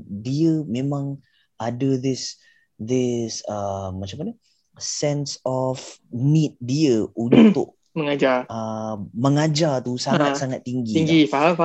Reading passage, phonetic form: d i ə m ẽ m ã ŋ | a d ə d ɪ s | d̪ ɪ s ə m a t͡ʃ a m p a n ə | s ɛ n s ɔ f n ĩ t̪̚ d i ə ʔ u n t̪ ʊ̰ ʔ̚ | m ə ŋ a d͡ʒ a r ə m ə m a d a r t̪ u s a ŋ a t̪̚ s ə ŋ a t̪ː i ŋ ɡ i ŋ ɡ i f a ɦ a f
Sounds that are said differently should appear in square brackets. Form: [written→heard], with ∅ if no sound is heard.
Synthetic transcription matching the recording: d i ə m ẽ m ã ŋ | a d ə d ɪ s | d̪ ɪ s ə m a t͡ʃ a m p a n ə | s ɛ n s ɔ f n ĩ t̪̚ d i ə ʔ u n t̪ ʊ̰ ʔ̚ | m ə ŋ a d͡ʒ a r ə m ə [m→ŋ] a [d→d͡ʒ] a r t̪ u s a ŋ a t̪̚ s [ə→a] ŋ a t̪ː i ŋ ɡ i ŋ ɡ i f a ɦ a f